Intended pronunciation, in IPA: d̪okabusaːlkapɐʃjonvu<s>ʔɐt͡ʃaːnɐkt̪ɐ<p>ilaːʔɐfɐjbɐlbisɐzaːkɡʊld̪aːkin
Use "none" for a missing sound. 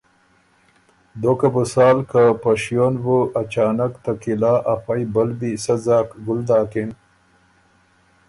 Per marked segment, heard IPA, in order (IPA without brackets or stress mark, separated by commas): none, k